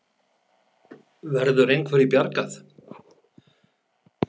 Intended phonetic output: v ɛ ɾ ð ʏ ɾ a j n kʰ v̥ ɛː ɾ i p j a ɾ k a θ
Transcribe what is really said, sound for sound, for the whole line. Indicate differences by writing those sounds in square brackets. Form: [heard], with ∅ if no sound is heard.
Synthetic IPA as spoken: v ɛ ɾ ð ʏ ɾ [e] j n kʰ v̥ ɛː ɾ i p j a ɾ k a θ